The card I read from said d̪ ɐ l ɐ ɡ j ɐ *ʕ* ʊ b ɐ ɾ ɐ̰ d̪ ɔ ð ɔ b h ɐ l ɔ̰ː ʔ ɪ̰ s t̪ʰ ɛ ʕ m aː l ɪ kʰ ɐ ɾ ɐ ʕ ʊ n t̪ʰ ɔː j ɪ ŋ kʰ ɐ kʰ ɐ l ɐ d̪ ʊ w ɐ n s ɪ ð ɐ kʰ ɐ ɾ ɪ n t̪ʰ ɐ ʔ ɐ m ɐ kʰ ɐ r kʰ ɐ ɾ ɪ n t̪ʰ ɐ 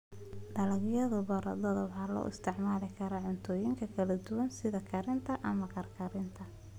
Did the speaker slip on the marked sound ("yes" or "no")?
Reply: yes